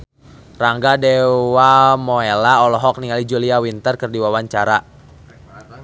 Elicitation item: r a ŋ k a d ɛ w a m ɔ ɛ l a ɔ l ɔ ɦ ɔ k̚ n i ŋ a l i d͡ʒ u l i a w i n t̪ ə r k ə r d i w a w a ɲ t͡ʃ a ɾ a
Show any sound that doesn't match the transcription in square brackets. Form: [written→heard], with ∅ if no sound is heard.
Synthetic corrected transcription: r a ŋ [k→ɡ] a d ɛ w a m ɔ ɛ l a ɔ l ɔ ɦ ɔ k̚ n i ŋ a l i d͡ʒ u l i a w i n t̪ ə r k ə r d i w a w a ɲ t͡ʃ a ɾ a